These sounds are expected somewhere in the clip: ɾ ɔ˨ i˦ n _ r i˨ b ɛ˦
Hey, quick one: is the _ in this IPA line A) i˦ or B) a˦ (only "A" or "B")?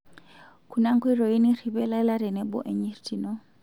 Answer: A